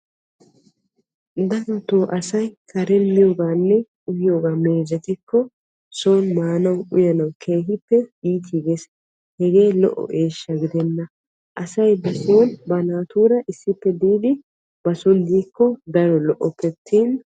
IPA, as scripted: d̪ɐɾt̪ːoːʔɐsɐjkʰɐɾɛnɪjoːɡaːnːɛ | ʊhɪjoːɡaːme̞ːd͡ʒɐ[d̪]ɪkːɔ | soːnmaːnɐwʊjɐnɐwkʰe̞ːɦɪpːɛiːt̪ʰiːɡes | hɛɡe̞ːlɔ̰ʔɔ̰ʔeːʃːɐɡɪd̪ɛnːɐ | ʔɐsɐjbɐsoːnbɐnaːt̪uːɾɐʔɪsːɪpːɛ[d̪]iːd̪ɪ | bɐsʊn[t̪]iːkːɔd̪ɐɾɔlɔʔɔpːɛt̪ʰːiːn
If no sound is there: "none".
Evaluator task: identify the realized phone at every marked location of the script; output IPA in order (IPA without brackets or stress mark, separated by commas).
t̪, d̪, d̪